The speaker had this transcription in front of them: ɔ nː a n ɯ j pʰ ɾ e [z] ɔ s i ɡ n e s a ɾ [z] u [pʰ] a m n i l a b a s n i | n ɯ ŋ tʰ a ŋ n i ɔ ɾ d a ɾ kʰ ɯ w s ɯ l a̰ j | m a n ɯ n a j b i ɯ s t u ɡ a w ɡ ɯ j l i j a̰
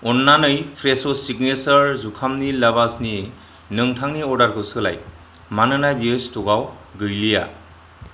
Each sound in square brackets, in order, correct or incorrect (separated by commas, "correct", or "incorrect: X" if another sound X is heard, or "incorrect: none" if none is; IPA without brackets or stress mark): incorrect: s, correct, incorrect: kʰ